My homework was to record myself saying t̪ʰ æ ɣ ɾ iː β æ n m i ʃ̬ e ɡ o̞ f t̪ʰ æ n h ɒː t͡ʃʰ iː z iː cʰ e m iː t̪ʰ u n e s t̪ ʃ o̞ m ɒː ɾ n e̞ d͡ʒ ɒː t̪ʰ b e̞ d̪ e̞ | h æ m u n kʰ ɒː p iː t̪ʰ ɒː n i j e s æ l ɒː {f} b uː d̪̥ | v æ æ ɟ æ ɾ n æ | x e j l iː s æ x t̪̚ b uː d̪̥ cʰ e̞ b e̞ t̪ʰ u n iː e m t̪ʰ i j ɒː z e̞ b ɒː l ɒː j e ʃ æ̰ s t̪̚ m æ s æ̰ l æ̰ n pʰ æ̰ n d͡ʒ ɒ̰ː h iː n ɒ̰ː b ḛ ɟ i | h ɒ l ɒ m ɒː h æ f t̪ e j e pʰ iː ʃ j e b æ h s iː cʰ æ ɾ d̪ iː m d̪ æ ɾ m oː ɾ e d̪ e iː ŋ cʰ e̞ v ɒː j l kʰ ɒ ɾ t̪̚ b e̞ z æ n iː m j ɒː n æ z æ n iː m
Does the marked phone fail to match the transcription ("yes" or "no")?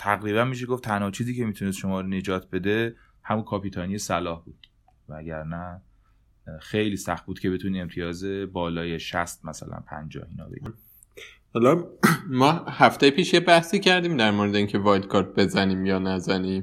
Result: yes